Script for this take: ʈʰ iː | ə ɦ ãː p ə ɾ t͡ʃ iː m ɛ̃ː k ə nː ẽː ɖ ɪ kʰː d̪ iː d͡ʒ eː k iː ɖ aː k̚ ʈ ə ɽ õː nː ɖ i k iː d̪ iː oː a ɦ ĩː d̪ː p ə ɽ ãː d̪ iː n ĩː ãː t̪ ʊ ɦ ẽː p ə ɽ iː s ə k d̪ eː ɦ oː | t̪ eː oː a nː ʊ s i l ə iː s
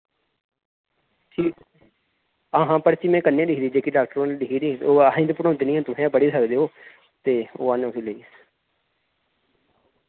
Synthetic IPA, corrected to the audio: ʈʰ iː | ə ɦ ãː p ə ɾ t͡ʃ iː m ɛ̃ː k ə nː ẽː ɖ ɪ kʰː d̪ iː d͡ʒ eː k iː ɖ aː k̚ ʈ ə ɾ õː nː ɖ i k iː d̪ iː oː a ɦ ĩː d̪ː p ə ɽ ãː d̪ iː n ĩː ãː t̪ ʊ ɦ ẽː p ə ɽ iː s ə k d̪ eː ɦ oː | t̪ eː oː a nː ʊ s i l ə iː s